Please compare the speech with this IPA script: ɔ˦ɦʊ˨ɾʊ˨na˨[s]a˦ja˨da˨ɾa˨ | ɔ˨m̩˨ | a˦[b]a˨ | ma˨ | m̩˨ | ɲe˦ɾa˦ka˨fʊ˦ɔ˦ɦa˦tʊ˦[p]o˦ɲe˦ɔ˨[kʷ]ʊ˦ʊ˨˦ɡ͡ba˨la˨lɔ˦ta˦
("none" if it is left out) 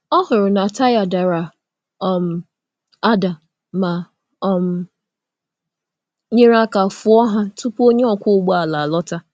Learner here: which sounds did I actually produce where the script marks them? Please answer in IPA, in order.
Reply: t, d, p, kʷ

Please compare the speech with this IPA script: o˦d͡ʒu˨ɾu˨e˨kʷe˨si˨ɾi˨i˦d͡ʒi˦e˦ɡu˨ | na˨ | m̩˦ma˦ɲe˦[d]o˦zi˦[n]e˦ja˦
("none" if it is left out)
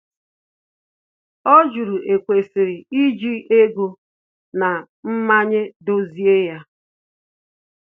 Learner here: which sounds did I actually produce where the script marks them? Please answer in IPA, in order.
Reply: d, none

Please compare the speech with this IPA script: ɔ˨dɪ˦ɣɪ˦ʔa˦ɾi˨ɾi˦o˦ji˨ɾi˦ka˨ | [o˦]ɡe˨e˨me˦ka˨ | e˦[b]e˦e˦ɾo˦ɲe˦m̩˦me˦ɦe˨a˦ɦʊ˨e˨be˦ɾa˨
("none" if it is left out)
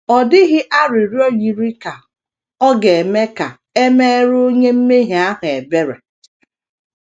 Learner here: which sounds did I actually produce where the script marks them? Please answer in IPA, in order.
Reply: ɔ˦, m

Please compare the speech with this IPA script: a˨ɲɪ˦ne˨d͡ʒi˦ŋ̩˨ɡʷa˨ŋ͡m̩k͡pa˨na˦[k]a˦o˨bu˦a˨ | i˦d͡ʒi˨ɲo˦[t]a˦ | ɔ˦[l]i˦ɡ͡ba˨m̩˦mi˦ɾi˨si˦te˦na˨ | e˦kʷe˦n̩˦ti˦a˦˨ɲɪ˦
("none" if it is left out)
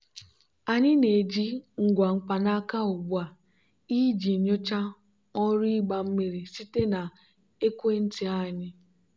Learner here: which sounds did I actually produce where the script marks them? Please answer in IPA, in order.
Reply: k, t͡ʃ, ɾ

